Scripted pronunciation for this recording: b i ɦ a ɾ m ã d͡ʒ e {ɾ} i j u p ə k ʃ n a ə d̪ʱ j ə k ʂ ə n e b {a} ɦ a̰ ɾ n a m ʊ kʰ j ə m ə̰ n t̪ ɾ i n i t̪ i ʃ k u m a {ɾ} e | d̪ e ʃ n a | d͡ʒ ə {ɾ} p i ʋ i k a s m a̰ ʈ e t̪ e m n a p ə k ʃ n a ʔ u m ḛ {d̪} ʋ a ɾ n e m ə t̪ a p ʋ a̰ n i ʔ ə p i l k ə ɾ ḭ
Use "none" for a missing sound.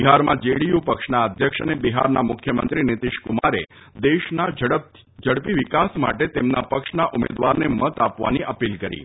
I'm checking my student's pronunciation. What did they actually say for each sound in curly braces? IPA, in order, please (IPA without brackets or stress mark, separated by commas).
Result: ɽ, i, ɾ, ɽ, d̪